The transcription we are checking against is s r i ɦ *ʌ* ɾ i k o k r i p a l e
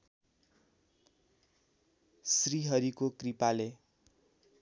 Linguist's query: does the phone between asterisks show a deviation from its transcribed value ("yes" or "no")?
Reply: no